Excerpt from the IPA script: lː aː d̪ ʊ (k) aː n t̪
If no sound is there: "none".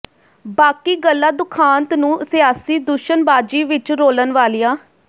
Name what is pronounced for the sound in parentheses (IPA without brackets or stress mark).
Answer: kʰ